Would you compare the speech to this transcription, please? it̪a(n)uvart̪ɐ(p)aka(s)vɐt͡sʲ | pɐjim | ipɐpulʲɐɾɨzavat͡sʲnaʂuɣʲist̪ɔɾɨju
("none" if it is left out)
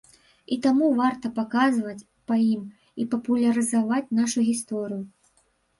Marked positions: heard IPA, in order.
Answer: m, p, z

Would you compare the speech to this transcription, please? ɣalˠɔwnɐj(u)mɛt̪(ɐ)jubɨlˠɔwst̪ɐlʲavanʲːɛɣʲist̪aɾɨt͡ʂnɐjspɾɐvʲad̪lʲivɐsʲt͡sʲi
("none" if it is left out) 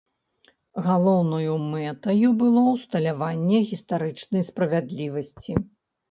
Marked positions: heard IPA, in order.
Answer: u, ɐ

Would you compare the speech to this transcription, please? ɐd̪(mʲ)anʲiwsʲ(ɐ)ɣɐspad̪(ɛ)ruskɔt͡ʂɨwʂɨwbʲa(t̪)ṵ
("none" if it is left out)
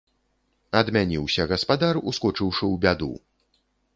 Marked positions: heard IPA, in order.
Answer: mʲ, ɐ, a, d̪

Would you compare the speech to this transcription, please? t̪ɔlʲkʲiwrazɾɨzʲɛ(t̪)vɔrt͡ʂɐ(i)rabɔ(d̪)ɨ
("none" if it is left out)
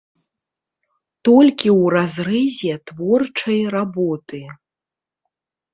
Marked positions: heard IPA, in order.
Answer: t̪, j, t̪

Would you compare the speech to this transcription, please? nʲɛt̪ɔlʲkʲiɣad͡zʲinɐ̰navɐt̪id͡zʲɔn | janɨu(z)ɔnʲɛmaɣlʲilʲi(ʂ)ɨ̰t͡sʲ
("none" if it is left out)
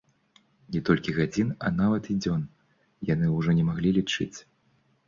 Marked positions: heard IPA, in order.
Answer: ʐ, t͡ʂ

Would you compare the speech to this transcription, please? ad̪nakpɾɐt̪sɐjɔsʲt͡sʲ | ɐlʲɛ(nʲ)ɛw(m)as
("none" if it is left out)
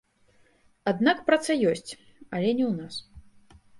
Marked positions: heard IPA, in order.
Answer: nʲ, n

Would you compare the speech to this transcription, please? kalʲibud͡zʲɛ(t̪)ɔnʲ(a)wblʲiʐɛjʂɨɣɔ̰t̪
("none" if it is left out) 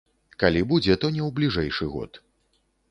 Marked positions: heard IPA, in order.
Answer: t̪, ɛ

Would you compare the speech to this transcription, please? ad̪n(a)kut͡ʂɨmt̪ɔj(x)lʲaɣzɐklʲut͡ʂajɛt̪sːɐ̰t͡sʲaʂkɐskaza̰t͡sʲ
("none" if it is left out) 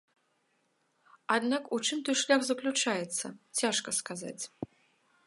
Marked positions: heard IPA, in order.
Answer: a, ʂ

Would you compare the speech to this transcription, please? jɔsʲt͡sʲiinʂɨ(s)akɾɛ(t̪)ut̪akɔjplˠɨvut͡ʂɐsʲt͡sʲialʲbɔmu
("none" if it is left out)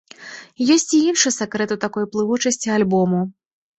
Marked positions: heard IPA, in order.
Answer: s, t̪

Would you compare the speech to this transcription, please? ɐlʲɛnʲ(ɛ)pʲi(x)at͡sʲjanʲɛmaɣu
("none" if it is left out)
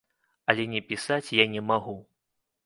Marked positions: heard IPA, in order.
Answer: ɛ, s

